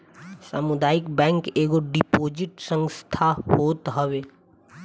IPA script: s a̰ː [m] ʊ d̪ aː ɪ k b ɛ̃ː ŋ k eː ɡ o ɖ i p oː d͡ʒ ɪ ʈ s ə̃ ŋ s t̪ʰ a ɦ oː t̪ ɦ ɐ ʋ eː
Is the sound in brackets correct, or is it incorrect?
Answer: correct